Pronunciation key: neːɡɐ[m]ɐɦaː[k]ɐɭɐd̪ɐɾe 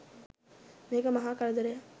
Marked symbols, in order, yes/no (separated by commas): yes, yes